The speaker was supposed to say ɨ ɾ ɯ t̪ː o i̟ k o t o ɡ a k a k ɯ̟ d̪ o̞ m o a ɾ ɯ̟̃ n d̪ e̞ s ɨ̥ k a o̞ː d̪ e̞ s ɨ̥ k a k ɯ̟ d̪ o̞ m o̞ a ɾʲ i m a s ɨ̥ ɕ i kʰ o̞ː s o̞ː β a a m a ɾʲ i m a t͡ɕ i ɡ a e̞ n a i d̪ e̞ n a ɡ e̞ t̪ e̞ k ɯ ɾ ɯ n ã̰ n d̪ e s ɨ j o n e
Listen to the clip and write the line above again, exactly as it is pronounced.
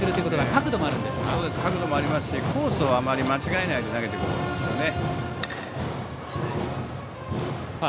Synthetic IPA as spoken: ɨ ɾ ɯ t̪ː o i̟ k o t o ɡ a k a k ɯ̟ d̪ o̞ m o a ɾ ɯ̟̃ n d̪ e̞ s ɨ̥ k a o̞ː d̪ e̞ s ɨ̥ k a k ɯ̟ d̪ o̞ m o̞ a ɾʲ i m a s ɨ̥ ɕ i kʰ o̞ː s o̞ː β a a m a ɾʲ i m a t͡ɕ i ɡ a e̞ n a i d̪ e̞ n a ɡ e̞ t̪ e̞ k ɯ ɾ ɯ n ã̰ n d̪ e s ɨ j o n e